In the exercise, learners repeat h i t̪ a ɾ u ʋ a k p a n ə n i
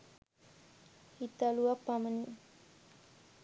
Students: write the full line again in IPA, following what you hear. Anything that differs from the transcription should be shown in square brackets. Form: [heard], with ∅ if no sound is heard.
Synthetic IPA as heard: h i t̪ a [l] u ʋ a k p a [m] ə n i